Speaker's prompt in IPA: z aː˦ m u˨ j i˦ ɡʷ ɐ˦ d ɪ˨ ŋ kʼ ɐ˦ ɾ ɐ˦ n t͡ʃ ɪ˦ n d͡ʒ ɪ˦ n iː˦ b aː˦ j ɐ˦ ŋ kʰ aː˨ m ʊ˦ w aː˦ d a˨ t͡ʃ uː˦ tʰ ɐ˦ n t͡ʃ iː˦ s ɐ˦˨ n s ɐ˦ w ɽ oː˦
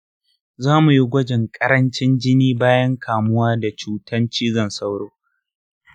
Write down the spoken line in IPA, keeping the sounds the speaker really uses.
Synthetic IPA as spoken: z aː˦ m u˨ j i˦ ɡʷ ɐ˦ d͡ʒ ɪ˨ ŋ kʼ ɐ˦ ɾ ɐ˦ n t͡ʃ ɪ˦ n d͡ʒ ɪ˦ n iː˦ b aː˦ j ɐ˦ ŋ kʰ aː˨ m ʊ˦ w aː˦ d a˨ t͡ʃ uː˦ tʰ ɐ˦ n t͡ʃ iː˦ z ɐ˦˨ n s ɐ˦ w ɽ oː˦